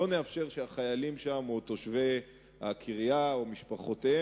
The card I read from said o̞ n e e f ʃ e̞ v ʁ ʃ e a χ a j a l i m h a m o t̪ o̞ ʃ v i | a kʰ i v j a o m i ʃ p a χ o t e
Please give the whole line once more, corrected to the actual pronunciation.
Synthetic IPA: o̞ n e a f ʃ e̞ ʁ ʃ e a χ a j a l i m ʃ a m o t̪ o̞ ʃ v e | a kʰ i ʁ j a o m i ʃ p a χ o t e